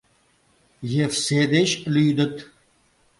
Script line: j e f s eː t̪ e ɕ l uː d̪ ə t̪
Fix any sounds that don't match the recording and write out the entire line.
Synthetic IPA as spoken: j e f s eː d̪ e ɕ l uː d̪ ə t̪

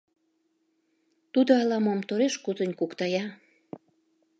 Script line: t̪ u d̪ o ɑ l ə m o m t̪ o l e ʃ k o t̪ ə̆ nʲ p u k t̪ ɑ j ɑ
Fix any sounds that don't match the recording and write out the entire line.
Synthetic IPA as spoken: t̪ u d̪ o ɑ l ɑ m o m t̪ o ɾ e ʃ k u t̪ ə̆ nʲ k u k t̪ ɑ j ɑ

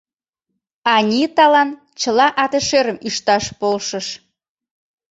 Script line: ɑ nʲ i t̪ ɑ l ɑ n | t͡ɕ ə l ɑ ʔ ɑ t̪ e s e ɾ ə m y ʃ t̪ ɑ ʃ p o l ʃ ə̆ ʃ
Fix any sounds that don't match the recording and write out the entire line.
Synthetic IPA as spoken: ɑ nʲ i t̪ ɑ l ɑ n | t͡ɕ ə l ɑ ʔ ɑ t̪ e ʃ e ɾ ə m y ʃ t̪ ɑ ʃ p o l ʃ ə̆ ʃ

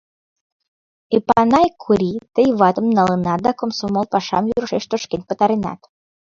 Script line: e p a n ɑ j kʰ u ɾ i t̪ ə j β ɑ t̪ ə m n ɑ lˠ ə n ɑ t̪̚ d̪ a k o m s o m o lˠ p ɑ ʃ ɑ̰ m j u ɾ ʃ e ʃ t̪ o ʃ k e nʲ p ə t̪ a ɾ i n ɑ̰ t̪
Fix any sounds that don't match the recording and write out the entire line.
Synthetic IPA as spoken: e p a n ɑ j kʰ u ɾ i t̪ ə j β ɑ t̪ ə m n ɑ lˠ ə n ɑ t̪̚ d̪ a k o m s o m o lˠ p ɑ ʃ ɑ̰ m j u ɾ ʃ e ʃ t̪ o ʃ k e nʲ p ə t̪ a ɾ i n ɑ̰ t̪

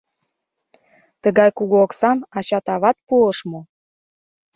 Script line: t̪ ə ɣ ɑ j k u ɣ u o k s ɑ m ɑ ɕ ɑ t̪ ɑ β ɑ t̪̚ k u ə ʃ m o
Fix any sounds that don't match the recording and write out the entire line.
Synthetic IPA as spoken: t̪ ə ɣ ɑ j k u ɣ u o k s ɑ m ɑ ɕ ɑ t̪ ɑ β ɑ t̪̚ p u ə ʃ m o

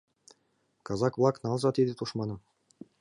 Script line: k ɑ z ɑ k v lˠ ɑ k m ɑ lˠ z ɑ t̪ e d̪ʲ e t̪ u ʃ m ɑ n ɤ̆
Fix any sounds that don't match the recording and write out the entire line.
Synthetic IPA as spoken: k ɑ z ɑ k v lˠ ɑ k n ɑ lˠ z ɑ t̪ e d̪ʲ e t̪ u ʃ m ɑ n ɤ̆

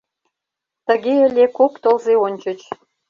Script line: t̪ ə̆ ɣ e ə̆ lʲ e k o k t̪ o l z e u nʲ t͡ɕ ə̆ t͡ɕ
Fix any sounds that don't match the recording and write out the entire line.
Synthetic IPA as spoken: t̪ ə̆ ɣ e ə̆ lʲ e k o k t̪ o l z e o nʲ t͡ɕ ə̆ t͡ɕ

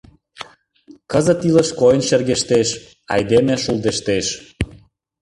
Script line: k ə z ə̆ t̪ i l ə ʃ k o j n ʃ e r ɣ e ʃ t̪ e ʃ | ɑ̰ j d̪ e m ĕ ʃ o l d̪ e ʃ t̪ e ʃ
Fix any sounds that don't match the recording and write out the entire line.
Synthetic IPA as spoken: k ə z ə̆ t̪ i l ə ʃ k o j n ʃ e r ɣ e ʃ t̪ e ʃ | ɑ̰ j d̪ e m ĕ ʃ u l d̪ e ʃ t̪ e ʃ

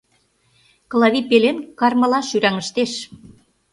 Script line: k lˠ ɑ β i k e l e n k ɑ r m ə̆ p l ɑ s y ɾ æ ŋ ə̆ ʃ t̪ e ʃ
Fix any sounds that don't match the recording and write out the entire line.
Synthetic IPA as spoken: k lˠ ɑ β i p e l e n k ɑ r m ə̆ l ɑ ʃ y ɾ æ ŋ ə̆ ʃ t̪ e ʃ

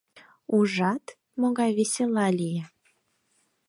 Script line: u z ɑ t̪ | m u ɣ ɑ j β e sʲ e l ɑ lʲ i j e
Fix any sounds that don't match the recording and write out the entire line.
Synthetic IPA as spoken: u ʒ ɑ t̪ | m o ɣ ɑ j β e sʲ e l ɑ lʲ i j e

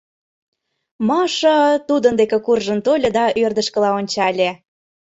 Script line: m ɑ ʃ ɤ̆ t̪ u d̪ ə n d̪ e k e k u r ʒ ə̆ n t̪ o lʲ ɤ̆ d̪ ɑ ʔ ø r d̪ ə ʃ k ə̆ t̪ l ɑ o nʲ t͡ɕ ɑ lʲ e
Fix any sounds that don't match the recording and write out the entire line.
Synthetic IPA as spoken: m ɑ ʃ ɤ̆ t̪ u d̪ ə n d̪ e k e k u r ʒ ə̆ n t̪ o lʲ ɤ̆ d̪ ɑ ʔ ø r d̪ ə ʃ k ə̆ l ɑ o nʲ t͡ɕ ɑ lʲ e

